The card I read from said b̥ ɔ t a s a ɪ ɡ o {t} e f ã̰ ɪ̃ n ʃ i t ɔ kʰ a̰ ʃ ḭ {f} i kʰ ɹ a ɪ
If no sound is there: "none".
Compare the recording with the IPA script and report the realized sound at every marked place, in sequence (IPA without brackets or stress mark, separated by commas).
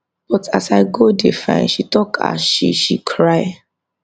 d, ʃ